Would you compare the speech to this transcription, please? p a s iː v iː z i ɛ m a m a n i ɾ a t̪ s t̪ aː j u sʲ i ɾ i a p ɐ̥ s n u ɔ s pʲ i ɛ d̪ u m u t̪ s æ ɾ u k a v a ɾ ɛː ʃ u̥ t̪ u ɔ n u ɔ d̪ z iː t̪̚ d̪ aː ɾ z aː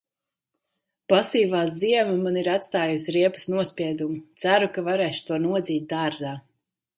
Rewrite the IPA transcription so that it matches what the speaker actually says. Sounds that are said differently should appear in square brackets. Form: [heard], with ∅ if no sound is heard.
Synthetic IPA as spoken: p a s iː v [aː] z i ɛ m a m a n i ɾ a t̪ s t̪ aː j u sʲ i ɾ i [ɛ] p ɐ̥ s n u ɔ s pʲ i ɛ d̪ u m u t̪ s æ ɾ u k a v a ɾ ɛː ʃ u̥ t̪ u ɔ n u ɔ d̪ z iː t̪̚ d̪ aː ɾ z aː